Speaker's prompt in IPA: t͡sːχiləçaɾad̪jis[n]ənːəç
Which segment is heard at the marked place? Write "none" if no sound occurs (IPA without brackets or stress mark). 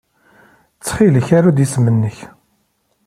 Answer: m